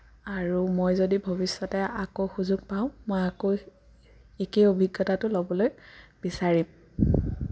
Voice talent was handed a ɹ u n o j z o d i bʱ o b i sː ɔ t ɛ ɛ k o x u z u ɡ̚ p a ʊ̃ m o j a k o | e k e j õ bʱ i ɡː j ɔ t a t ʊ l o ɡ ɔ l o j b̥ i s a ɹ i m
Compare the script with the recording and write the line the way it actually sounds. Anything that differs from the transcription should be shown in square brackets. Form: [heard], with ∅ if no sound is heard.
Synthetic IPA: a ɹ u [m] o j z o d i bʱ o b i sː ɔ t ɛ [a] k o x u z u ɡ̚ p a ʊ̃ m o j a k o | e k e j [o] bʱ i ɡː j ɔ t a t ʊ l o [b] ɔ l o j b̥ i s a ɹ i m